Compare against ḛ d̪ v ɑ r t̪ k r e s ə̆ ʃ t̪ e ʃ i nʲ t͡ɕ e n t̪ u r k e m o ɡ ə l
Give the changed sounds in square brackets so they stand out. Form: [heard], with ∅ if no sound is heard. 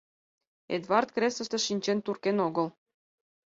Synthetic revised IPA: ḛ d̪ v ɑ r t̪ k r e s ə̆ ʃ t̪ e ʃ i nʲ t͡ɕ e n t̪ u r k e [n] o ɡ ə l